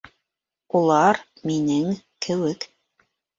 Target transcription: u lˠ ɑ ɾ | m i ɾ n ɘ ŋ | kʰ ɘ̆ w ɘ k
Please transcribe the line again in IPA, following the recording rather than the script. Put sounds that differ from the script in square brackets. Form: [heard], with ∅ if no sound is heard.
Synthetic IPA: u lˠ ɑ ɾ | m i [∅] n ɘ ŋ | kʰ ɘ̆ w ɘ k